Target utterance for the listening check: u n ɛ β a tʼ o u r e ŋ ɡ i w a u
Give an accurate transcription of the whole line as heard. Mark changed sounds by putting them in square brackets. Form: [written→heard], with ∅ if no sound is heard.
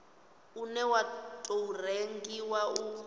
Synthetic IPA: u n ɛ [β→w] a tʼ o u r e ŋ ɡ i w a u

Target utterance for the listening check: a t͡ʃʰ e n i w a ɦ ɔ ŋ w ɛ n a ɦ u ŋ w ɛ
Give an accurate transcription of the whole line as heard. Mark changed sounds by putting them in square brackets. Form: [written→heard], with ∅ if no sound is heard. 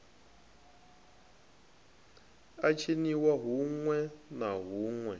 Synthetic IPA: a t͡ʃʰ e n i w a ɦ [ɔ→u] ŋ w ɛ n a ɦ u ŋ w ɛ

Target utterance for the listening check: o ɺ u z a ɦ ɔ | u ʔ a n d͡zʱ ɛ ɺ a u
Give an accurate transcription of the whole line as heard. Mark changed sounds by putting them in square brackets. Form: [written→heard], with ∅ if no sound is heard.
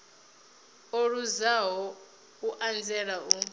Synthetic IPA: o ɺ u z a ɦ ɔ | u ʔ a n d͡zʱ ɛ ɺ a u

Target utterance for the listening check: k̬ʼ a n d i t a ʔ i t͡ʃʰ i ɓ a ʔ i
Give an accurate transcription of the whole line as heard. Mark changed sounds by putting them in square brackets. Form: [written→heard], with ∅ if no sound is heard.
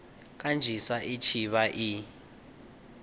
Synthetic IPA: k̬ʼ a n [d→d͡ʒʱ] i [t→s] a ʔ i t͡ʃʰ i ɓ a ʔ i

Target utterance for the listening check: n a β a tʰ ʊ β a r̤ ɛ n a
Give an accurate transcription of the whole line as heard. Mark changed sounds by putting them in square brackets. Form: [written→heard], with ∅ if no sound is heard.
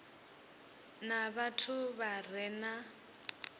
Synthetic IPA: n a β a tʰ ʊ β a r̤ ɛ n a

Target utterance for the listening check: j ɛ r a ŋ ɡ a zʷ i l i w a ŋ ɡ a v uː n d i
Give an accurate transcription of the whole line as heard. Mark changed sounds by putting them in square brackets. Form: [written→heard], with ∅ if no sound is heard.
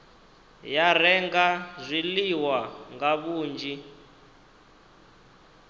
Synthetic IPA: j [ɛ→a] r [a→ɛ] ŋ ɡ a zʷ i l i w a ŋ ɡ a [v→β] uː n [d→d͡ʒ] i

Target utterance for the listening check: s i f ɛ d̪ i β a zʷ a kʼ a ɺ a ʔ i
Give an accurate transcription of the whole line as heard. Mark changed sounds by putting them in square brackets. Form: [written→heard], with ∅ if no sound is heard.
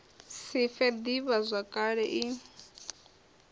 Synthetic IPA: s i f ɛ d̪ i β a zʷ a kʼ a ɺ [a→ɛ] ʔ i

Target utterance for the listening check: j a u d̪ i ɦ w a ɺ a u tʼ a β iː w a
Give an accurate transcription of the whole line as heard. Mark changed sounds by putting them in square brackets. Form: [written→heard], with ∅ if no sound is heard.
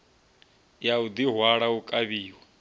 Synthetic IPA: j a u d̪ i ɦ w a ɺ a u [tʼ→kʼ] a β iː w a

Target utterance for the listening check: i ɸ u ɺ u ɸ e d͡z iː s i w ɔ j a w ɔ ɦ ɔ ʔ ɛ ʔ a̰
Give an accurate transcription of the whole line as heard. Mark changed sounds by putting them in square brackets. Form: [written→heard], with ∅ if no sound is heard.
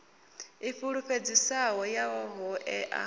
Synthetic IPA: i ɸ u ɺ u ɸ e d͡z [iː→i] s [i→a] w ɔ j a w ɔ ɦ ɔ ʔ ɛ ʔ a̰

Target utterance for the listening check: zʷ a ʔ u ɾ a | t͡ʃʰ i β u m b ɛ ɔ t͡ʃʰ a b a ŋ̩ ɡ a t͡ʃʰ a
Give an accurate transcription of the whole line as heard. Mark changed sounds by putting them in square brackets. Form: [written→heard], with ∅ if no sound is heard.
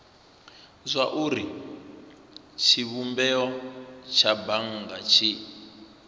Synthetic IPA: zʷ a ʔ u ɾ [a→i] | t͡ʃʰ i β u m b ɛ ɔ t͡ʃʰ a b a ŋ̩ ɡ a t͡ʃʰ [a→i]

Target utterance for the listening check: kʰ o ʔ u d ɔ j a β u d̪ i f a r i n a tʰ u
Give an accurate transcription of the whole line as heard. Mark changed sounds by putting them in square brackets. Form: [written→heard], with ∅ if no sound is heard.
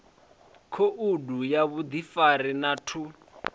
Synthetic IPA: kʰ o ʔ u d [ɔ→u] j a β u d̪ i f a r i n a tʰ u

